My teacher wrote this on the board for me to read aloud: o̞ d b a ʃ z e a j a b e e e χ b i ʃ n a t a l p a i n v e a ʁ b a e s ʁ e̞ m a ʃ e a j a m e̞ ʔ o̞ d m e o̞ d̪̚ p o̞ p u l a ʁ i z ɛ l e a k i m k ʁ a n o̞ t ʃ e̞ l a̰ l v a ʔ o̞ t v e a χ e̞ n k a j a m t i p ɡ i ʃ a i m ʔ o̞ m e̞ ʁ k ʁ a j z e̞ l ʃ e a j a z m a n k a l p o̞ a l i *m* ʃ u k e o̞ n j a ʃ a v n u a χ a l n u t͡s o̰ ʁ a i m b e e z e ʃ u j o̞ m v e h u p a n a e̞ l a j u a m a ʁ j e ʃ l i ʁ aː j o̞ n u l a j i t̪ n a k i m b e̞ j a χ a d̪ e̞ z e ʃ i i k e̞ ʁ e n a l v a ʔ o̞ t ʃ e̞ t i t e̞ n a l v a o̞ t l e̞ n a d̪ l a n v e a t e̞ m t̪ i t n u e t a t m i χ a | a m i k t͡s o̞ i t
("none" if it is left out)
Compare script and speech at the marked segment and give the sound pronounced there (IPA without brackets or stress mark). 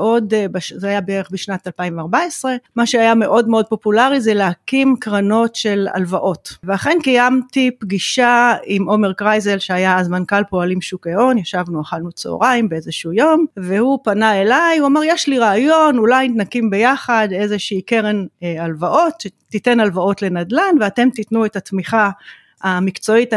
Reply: m